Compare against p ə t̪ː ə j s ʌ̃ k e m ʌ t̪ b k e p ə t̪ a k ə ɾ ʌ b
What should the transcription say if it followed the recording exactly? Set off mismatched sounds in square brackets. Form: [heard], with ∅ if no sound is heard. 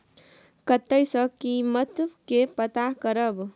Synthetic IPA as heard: [k] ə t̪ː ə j s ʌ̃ k [i] m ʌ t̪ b k e p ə t̪ a k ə ɾ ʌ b